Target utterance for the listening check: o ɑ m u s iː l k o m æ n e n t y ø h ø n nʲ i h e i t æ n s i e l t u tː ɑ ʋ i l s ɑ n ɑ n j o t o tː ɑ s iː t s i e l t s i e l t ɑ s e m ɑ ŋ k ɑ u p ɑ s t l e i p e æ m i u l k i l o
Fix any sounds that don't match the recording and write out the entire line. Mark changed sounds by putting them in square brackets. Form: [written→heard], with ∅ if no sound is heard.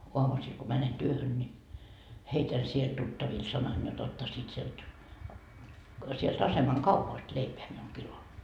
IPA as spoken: o ɑ m u s iː l k o m æ n e n t y ø h ø n nʲ i h e i t æ n s i e l t u tː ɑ ʋ i l s ɑ n ɑ n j o t o tː ɑ s iː t s i e l t s i e l t ɑ s e m ɑ ŋ k ɑ u p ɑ s t l e i p e æ m i u l k i l o